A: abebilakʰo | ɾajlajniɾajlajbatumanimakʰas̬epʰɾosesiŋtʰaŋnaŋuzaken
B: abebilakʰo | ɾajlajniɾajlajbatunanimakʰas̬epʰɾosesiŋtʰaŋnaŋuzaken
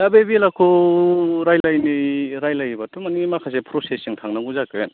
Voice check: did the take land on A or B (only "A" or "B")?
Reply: A